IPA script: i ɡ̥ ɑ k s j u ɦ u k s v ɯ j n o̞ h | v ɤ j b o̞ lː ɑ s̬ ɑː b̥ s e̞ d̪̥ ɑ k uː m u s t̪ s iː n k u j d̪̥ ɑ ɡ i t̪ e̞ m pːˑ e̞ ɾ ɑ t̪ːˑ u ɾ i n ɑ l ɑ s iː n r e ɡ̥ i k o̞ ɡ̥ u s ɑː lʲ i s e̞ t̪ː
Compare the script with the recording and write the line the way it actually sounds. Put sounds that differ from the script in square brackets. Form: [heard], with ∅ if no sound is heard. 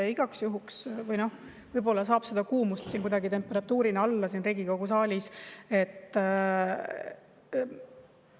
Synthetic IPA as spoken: i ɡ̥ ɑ k s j u ɦ u k s v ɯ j n o̞ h | v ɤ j b o̞ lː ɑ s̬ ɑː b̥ s e̞ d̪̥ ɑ k uː m u s t̪ s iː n k u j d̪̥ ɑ ɡ i t̪ e̞ m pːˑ e̞ ɾ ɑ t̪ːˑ [uː] ɾ i n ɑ [lː] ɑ s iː n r e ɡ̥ i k o̞ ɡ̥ u s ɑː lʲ i s e̞ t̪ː